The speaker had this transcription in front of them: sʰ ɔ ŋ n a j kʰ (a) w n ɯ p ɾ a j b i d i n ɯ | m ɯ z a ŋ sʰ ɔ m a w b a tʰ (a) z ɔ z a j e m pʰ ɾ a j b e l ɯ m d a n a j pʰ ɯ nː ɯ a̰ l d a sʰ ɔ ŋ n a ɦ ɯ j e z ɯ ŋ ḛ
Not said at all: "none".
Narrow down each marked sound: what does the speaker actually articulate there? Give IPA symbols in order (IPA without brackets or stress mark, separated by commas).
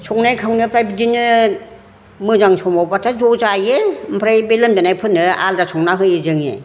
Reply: a, a